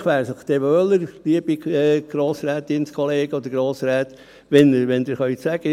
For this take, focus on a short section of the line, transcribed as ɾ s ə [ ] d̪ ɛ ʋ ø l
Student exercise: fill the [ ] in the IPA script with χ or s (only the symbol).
χ